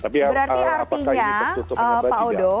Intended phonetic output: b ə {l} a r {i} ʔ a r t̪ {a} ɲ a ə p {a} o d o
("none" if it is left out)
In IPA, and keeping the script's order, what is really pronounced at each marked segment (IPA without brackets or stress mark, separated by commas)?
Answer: ɾ, i, i, a